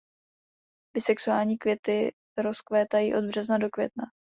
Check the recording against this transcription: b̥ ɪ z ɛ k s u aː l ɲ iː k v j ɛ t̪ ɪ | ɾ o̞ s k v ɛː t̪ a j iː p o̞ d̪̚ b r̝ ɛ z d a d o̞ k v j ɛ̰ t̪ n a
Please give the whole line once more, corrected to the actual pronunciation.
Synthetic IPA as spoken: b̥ ɪ s ɛ k s u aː l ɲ iː k v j ɛ t̪ ɪ | ɾ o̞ s k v ɛː t̪ a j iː ʔ o̞ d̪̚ b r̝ ɛ z n a d o̞ k v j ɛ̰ t̪ n a